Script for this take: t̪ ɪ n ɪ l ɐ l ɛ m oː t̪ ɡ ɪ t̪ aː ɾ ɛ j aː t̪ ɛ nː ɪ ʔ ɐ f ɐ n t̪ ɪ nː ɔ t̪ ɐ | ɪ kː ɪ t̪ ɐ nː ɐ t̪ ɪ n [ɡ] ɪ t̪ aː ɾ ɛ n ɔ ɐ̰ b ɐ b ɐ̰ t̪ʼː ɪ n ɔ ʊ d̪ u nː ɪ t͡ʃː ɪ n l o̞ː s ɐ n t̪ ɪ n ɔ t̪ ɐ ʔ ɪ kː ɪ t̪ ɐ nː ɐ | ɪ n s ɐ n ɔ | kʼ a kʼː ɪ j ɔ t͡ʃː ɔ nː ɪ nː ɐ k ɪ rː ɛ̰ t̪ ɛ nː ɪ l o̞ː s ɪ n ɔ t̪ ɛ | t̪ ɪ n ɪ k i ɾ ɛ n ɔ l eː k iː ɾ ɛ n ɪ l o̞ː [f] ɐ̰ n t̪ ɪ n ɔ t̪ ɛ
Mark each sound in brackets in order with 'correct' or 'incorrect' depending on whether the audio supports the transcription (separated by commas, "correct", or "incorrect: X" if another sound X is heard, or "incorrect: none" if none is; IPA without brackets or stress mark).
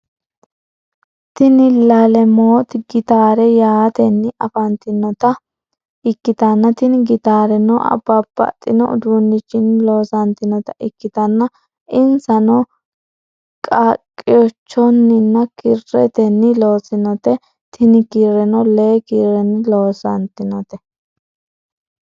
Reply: correct, incorrect: s